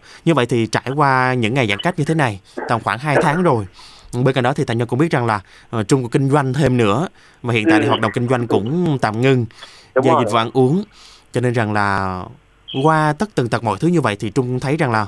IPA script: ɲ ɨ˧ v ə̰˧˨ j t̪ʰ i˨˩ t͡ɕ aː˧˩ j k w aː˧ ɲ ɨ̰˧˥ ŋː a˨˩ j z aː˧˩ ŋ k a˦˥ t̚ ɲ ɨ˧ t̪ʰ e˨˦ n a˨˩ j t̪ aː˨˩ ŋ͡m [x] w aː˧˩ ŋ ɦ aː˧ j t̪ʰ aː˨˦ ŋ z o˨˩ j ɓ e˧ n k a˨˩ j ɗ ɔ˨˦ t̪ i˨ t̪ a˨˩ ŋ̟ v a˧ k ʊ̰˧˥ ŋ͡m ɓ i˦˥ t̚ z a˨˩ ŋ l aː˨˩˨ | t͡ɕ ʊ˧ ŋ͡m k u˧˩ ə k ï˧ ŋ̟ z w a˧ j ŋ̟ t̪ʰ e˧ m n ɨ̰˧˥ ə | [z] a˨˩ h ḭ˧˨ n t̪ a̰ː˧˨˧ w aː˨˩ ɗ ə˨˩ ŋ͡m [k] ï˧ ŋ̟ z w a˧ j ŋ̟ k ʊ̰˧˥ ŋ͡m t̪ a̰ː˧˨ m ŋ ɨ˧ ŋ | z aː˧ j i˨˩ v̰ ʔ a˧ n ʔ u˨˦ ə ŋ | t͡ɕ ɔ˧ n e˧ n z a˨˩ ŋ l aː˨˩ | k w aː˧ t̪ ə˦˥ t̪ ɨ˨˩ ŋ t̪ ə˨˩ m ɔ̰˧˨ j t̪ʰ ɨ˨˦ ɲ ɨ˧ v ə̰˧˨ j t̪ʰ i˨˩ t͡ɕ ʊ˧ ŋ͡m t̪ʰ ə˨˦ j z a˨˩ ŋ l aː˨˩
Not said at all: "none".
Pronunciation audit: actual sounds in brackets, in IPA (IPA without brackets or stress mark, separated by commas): x, v, k